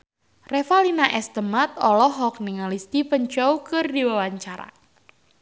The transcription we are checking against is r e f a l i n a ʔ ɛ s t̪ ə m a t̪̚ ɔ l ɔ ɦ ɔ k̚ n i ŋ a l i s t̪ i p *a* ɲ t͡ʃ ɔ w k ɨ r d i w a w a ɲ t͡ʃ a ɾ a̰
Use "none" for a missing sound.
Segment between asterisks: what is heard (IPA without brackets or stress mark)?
ə